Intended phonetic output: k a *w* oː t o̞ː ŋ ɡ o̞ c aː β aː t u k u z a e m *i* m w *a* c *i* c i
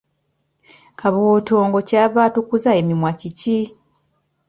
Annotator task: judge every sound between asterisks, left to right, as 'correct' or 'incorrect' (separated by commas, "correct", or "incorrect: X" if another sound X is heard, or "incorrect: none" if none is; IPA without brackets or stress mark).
incorrect: β, correct, correct, correct